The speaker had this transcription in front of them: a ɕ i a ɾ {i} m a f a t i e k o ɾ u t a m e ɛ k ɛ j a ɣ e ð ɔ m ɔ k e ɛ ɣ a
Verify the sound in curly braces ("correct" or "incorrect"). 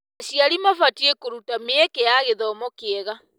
correct